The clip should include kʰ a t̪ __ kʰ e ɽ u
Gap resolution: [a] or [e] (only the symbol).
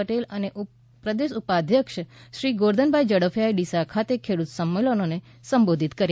e